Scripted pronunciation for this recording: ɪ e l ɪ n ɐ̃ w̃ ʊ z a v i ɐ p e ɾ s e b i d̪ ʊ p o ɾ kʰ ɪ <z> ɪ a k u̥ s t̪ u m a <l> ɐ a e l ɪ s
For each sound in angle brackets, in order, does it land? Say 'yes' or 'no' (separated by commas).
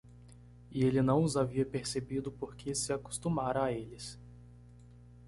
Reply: no, no